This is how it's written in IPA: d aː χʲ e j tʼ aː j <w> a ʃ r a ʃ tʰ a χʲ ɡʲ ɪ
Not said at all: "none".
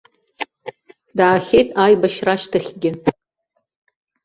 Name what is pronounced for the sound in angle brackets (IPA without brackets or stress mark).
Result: b